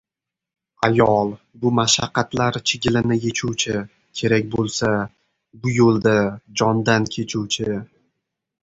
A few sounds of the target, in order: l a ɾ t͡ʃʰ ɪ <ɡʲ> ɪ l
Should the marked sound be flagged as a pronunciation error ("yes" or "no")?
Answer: no